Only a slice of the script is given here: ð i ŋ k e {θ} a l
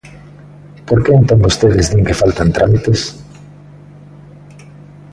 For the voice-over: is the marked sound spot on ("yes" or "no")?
no